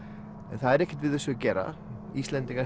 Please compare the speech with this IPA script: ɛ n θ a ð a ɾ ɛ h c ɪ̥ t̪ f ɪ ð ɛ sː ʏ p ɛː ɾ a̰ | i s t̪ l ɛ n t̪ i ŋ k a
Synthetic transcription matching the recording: ɛ n θ a ð ɛ ɾ ɛ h c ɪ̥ t̪ v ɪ ð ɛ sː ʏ c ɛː ɾ a̰ | i s t̪ l ɛ n t̪ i ŋ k a